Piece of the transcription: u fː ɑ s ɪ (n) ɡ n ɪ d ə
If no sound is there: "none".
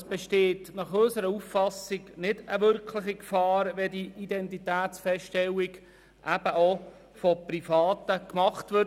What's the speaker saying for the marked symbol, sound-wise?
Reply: none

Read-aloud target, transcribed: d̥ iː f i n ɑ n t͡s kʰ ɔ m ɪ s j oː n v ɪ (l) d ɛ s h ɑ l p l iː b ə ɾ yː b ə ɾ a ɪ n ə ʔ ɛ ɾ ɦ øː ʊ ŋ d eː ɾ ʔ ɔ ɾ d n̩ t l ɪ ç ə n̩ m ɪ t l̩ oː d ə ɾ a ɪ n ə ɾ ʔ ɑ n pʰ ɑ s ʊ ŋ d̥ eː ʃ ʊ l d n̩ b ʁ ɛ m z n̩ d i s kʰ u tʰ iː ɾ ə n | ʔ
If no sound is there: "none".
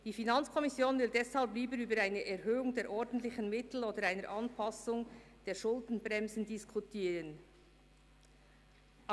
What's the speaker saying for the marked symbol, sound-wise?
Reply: l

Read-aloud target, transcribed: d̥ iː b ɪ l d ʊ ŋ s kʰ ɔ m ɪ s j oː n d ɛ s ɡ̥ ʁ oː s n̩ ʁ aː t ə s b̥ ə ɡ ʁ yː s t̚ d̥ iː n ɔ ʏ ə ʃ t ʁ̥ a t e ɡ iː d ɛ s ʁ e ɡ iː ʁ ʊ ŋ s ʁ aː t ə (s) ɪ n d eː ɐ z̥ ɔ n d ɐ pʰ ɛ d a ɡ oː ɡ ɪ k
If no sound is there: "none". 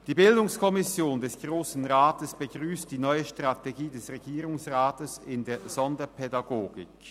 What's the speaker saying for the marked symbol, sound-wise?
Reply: s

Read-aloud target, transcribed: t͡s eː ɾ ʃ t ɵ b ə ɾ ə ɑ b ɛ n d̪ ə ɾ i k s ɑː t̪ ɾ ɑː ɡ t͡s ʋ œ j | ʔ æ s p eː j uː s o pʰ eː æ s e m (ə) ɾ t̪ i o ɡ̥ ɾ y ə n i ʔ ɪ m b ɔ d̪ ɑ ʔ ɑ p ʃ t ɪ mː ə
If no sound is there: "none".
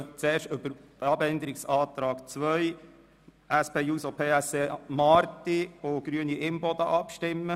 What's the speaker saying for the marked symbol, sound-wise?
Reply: ɑ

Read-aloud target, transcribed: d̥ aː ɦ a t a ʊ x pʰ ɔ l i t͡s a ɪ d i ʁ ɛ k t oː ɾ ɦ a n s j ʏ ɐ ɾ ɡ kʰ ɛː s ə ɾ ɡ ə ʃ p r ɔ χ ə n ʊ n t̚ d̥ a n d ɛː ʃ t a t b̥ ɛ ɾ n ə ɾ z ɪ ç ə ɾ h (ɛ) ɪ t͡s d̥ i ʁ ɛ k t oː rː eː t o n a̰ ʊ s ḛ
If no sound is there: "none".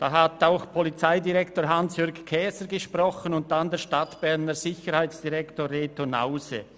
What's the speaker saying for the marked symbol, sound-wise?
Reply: a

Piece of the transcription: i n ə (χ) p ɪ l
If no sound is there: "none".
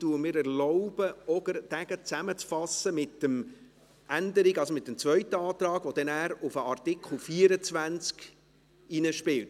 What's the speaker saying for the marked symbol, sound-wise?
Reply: ʃ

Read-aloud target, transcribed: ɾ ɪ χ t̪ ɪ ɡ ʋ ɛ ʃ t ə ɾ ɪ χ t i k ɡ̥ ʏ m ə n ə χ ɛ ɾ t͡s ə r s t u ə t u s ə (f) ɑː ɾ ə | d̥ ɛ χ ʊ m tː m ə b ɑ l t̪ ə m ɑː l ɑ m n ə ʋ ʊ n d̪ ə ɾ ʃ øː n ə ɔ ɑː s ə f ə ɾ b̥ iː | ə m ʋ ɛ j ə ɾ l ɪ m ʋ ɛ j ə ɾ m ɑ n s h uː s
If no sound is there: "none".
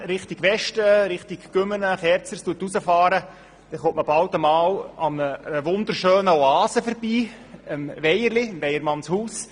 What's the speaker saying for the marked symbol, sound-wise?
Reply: f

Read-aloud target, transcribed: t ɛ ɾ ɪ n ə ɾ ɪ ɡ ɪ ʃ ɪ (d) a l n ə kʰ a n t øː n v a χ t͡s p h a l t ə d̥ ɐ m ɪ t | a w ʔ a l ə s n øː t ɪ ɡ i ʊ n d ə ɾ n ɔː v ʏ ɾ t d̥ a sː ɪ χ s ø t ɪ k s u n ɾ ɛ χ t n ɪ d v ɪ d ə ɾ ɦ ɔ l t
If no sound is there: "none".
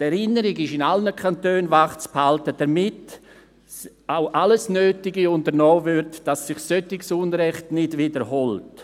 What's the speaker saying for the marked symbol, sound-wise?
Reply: n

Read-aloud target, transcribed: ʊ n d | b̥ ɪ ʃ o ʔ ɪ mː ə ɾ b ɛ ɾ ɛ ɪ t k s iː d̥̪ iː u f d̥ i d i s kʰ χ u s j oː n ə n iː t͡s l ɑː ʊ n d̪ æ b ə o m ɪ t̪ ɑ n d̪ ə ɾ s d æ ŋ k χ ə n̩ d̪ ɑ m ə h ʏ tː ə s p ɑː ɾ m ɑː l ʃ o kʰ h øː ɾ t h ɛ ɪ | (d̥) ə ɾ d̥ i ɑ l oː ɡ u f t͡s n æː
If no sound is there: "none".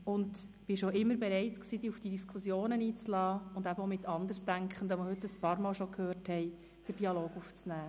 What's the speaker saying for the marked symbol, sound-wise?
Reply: d̥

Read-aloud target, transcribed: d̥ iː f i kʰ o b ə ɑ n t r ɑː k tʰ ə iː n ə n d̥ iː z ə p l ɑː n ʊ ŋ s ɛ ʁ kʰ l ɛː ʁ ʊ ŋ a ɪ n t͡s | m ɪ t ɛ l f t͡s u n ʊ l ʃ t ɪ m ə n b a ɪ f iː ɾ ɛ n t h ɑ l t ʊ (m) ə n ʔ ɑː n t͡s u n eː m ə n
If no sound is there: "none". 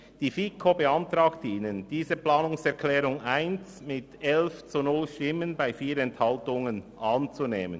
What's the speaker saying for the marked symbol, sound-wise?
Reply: ŋ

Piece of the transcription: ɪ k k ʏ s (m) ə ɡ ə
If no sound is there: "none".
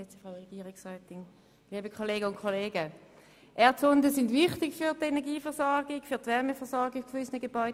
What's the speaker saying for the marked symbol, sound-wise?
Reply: n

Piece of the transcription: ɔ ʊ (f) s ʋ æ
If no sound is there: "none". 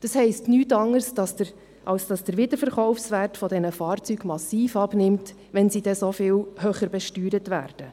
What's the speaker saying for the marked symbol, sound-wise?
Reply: f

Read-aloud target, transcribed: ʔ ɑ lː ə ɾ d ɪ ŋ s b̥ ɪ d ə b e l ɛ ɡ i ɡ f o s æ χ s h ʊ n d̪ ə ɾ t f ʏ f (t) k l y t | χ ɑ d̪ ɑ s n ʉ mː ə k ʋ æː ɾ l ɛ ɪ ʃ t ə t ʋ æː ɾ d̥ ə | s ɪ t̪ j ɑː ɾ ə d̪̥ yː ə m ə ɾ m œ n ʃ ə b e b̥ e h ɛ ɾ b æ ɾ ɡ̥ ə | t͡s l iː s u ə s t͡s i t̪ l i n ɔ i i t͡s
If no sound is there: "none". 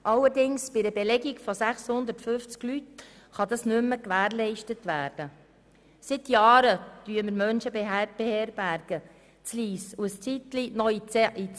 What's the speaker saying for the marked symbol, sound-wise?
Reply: t͡s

